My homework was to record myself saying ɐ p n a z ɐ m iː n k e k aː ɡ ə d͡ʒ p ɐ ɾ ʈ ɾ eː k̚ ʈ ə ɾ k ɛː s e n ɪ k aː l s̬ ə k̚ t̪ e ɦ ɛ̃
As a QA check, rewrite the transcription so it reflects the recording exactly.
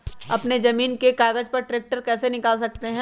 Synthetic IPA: ɐ p n e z ɐ m iː n k e k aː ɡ ə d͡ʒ p ɐ ɾ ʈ ɾ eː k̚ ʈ ə ɾ k ɛː s e n ɪ k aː l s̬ ɐ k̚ t̪ e ɦ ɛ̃